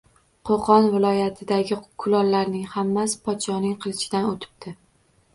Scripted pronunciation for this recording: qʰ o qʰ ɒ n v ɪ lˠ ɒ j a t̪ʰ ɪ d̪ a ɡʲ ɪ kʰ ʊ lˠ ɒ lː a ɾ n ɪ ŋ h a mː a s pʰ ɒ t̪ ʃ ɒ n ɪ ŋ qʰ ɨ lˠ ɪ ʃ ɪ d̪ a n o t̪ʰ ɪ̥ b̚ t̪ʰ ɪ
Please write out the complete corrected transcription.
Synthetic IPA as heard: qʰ o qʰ ɒ n v ɪ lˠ ɒ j a t̪ʰ ɪ d̪ a ɡʲ ɪ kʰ ʊ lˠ ɒ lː a ɾ n ɪ ŋ h a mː a s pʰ ɒ t̪ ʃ ɒ n ɪ ŋ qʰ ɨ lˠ ɪ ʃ ɪ d̪ a n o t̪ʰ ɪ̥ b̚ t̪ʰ ɪ

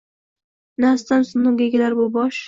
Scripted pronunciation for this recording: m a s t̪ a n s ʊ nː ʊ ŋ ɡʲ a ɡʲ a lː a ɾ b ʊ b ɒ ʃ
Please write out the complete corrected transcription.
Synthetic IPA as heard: n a s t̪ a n s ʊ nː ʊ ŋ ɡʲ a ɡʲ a l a ɾ b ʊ b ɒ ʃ

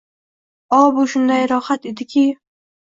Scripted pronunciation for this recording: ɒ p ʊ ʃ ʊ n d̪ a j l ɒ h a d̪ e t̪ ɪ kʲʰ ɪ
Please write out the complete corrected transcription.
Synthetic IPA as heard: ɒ b ʊ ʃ ʊ n d̪ a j ɾ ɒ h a t̪ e d̪ ɪ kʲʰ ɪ

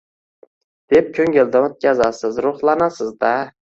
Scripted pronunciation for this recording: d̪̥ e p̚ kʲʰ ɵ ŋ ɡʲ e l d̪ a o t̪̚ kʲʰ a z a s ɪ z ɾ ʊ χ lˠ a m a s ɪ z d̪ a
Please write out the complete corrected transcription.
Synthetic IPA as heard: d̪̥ e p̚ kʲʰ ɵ ŋ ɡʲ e l d̪ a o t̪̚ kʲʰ a z a s ɪ z ɾ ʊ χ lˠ a n a s ɪ z d̪ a

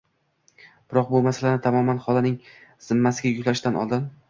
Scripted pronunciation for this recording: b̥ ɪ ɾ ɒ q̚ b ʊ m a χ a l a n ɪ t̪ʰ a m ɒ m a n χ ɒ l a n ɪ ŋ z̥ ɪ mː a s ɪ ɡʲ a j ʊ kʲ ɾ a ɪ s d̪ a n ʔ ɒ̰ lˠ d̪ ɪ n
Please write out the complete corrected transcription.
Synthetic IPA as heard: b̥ ɪ ɾ ɒ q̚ b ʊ m a s a l a n ɪ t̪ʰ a m ɒ m a n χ ɒ l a n ɪ ŋ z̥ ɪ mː a s ɪ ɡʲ a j ʊ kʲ l a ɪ ʃ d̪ a n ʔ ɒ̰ lˠ d̪ ɪ n

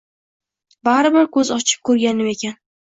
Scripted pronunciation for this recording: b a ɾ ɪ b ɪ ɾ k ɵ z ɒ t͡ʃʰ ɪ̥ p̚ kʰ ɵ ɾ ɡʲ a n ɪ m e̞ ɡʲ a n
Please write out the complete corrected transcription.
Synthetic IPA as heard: b a ɾ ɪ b ɪ ɾ k ɵ z ɒ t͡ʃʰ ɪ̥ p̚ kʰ ɵ ɾ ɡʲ a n ɪ m e̞ kʲ a n

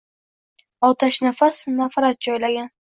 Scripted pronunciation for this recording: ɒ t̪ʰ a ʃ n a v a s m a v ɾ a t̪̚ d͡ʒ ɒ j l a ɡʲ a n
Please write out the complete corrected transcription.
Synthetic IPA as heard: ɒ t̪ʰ a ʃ n a f a s n a f ɾ a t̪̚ d͡ʒ ɒ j l a ɡʲ a n

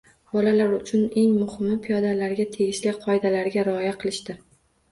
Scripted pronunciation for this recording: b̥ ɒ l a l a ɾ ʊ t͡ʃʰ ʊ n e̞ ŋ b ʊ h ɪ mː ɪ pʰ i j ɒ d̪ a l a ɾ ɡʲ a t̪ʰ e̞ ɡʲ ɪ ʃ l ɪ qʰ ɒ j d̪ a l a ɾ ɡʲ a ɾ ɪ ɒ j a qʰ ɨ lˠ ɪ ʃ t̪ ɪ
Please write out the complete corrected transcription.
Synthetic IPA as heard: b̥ ɒ l a l a ɾ ʊ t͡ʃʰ ʊ n e̞ ŋ m ʊ h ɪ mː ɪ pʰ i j ɒ d̪ a l a ɾ ɡʲ a t̪ʰ e̞ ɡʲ ɪ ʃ l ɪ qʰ ɒ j d̪ a l a ɾ ɡʲ a ɾ ɪ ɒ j a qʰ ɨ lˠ ɪ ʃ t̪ ɪ

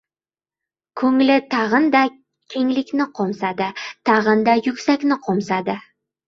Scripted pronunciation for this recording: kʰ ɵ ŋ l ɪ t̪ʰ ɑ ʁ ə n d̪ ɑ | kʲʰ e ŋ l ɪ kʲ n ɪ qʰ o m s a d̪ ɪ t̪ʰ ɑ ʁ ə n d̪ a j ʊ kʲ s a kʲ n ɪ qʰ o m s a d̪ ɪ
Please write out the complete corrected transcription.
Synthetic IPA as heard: kʰ ɵ ŋ l ɪ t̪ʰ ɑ ʁ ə n d̪ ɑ | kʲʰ e ŋ l ɪ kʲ n ɪ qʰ o m s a d̪ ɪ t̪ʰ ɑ ʁ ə n d̪ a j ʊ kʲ s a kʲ n ɪ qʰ o m s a d̪ ɪ

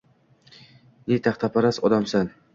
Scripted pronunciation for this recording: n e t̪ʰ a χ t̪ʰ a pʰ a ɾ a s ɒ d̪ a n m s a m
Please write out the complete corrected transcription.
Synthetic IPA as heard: n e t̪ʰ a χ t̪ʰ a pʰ a ɾ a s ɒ d̪ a m s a n

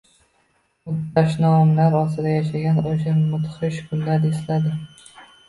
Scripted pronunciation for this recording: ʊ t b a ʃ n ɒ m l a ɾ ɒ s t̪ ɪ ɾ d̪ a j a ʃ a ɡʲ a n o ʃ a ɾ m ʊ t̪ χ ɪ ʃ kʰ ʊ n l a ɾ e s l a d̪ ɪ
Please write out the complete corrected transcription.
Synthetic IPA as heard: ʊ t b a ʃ n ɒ m l a ɾ ɒ s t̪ ɪ d̪ a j a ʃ a ɡʲ a n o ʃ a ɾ m ʊ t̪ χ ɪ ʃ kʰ ʊ n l a ɾ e s l a d̪ ɪ

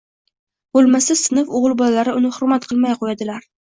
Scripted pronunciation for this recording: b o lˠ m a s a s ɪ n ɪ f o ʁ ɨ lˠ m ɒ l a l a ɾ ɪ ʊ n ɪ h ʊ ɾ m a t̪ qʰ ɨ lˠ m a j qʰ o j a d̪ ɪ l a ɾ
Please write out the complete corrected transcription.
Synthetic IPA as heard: b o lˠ m a s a s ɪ n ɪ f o ʁ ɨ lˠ b ɒ l a l a ɾ ɪ ʊ n ɪ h ʊ ɾ m a t̪ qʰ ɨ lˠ m a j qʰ o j a d̪ ɪ l a ɾ

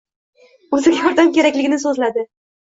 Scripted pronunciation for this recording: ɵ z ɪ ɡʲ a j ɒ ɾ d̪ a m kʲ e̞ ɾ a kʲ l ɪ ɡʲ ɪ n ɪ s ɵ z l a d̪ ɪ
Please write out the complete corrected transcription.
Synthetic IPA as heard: ɵ z ɪ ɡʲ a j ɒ ɾ d̪ a m kʲ e̞ ɾ a kʲ l ɪ ɡʲ ɪ n ɪ s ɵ z l a d̪ ɪ

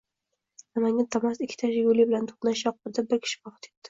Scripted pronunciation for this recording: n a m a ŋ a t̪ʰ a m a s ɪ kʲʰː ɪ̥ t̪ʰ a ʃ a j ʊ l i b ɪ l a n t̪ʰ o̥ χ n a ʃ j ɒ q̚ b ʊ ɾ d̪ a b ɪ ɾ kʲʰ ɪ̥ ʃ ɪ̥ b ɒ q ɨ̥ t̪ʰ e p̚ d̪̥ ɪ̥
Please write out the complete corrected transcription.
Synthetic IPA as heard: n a m a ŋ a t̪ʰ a m a s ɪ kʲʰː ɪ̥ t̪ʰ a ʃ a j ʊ l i b ɪ l a n t̪ʰ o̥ χ n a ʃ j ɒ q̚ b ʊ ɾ d̪ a b ɪ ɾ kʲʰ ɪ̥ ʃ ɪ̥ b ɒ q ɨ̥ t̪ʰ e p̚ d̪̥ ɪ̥

